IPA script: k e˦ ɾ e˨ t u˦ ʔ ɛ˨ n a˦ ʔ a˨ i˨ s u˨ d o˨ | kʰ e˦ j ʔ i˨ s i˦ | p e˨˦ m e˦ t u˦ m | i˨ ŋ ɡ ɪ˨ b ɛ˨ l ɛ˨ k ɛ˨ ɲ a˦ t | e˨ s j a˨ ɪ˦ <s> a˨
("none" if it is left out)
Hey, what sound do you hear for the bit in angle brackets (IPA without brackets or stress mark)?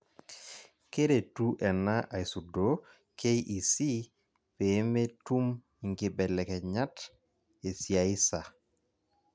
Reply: s